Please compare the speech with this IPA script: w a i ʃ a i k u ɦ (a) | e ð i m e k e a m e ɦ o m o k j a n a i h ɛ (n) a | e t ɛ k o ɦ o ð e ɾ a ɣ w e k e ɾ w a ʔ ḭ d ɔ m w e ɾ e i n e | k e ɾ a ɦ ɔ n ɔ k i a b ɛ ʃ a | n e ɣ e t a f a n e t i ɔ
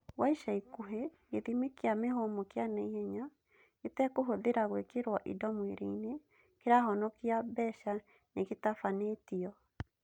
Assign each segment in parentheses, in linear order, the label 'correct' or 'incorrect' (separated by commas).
incorrect, incorrect